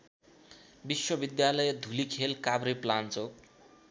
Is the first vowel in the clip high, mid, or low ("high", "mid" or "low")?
high